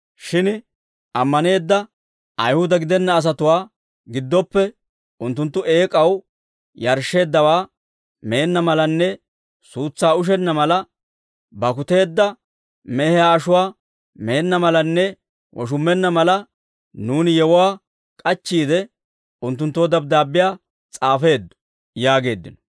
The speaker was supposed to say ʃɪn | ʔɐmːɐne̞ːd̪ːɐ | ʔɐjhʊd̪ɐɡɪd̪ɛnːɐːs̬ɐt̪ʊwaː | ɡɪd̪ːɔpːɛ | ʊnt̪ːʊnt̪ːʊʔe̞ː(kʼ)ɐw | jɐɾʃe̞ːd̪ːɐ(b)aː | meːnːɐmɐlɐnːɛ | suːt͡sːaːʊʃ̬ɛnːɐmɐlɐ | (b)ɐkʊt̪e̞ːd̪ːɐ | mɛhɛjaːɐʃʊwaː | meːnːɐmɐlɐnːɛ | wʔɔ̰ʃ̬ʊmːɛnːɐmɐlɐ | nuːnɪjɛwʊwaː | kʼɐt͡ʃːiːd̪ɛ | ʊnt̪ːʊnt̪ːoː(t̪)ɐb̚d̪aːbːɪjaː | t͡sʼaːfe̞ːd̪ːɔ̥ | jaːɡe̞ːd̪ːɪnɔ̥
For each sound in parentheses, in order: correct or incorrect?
correct, incorrect: w, correct, incorrect: d̪

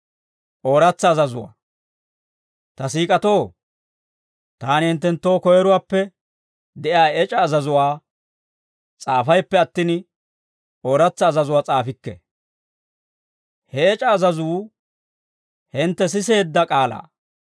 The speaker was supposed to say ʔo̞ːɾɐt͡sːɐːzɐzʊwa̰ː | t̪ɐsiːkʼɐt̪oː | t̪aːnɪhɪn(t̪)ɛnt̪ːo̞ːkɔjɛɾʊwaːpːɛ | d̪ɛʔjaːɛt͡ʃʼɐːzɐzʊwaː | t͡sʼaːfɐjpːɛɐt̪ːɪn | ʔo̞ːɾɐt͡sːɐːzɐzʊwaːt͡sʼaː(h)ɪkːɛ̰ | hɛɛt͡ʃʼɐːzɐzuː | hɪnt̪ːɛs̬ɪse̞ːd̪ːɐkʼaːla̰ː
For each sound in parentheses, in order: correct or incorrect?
correct, incorrect: f

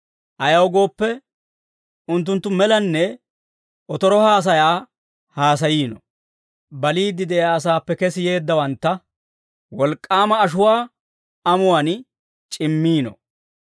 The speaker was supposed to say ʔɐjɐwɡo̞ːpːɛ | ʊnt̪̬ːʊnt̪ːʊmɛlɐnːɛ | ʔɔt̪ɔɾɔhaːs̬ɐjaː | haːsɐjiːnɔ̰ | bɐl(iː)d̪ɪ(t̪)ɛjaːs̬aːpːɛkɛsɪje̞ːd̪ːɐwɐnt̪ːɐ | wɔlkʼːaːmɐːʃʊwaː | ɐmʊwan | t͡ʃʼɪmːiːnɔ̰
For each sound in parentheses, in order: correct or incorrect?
correct, incorrect: d̪

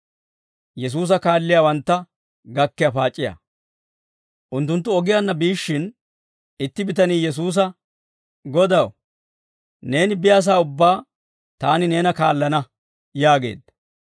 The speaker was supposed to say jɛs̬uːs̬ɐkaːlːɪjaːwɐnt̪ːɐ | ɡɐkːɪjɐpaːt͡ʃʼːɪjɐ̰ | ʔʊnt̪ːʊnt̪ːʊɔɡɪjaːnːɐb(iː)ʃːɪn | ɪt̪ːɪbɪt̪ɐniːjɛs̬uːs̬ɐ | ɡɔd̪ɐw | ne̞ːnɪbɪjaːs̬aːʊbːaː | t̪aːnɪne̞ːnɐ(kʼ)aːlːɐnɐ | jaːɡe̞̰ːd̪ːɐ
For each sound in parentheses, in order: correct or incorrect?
correct, incorrect: k

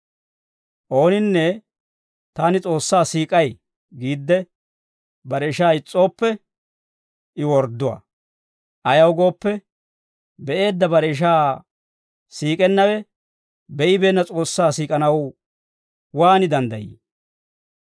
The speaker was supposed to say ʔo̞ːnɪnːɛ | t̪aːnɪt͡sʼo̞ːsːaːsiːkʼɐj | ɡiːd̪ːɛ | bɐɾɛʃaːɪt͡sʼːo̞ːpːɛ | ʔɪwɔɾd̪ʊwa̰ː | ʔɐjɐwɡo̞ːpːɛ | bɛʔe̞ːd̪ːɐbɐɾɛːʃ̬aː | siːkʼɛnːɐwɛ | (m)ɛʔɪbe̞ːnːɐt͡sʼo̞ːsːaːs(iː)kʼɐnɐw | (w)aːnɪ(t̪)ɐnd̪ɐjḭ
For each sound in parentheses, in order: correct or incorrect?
incorrect: b, correct, correct, incorrect: d̪

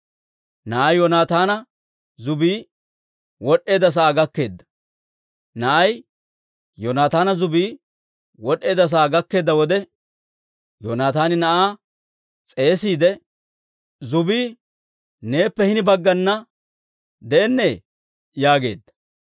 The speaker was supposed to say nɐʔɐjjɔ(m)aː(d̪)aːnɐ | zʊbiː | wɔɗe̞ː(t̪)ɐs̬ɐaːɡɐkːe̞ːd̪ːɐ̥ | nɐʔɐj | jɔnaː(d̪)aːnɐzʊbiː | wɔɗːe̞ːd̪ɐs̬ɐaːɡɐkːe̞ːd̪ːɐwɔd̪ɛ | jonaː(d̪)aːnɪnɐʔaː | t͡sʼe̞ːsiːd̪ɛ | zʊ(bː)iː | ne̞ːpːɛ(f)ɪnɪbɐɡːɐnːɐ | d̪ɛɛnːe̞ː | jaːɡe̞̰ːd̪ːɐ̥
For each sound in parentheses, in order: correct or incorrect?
incorrect: n, incorrect: t̪, incorrect: d̪, incorrect: t̪, incorrect: t̪, incorrect: b, incorrect: h

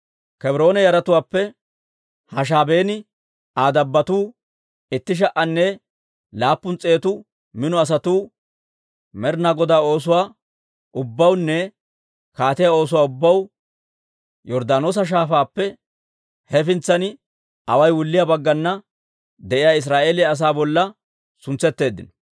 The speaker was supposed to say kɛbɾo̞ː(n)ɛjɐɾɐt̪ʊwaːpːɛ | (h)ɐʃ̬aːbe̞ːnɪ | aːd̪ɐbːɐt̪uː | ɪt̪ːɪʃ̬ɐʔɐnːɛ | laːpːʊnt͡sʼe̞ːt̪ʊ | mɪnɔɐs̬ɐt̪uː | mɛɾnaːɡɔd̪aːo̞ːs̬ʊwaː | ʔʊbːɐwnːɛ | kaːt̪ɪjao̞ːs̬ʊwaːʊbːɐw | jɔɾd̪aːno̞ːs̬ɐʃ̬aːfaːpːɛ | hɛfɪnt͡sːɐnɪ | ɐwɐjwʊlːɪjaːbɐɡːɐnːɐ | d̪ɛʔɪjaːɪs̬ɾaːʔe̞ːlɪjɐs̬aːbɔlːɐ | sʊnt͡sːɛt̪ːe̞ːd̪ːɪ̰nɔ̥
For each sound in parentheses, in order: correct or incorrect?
correct, correct

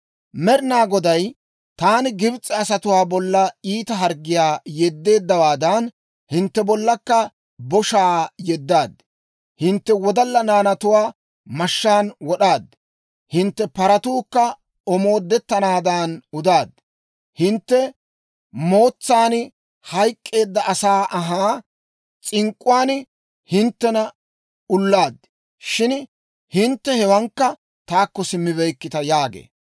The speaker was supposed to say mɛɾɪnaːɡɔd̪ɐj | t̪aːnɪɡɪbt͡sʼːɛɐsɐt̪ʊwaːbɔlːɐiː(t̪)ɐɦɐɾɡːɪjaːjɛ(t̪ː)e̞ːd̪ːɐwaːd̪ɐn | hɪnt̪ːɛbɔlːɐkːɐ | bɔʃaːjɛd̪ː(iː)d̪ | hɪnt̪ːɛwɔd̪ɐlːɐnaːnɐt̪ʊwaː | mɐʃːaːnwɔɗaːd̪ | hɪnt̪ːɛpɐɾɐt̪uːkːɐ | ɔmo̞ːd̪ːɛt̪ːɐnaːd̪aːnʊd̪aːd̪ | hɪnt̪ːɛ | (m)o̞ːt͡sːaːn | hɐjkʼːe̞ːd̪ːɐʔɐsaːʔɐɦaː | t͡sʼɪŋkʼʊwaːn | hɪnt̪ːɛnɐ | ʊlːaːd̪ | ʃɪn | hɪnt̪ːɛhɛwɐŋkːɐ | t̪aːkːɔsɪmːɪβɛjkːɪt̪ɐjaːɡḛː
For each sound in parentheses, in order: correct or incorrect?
correct, incorrect: d̪ː, incorrect: aː, correct

